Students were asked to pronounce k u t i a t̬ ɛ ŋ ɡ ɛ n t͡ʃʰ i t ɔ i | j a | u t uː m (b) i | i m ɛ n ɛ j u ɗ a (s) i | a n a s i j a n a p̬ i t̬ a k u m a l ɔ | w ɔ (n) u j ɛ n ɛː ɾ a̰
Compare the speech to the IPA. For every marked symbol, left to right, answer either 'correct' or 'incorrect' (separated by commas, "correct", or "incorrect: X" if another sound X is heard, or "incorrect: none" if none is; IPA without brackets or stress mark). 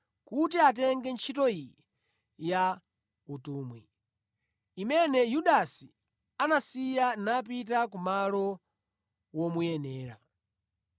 incorrect: w, correct, incorrect: m